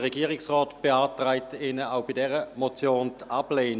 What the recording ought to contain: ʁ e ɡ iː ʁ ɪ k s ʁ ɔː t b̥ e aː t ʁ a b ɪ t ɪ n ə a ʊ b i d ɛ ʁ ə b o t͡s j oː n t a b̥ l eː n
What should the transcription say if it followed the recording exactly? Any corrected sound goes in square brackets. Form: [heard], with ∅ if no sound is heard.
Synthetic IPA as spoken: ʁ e ɡ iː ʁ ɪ k s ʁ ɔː t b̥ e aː t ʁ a [∅] ɪ t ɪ n ə a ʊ b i d ɛ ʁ ə [m] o t͡s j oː n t a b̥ l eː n